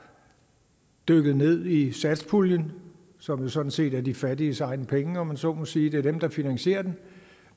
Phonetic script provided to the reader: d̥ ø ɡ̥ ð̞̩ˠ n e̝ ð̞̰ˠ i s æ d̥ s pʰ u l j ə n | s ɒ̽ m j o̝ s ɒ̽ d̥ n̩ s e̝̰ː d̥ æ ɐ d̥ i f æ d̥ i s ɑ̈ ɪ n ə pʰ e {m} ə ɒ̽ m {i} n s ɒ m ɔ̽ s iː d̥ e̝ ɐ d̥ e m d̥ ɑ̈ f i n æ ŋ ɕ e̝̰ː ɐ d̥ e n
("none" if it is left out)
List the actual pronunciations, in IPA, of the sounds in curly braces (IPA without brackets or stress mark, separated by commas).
ŋ, æ